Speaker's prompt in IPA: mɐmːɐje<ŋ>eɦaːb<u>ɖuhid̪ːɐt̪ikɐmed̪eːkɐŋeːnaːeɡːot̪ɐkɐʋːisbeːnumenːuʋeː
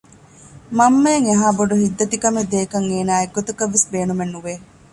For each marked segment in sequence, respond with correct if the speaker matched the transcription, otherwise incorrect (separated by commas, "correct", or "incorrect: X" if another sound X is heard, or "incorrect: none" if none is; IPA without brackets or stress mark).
correct, incorrect: o